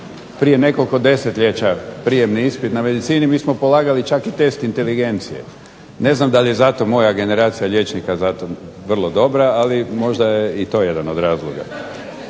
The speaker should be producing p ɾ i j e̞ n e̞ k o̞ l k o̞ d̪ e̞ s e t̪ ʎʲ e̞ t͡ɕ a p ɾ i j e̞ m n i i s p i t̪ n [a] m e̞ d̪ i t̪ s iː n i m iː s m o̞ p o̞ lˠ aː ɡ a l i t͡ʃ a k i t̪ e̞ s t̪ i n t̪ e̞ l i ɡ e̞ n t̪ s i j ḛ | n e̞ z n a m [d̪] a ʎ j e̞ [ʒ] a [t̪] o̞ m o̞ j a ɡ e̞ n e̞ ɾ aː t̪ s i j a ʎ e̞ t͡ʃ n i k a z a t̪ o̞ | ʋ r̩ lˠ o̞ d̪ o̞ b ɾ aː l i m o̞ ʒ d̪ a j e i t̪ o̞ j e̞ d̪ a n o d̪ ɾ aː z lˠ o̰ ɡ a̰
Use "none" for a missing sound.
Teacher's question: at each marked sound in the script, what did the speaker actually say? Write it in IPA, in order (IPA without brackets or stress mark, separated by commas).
a, d̪, z, t̪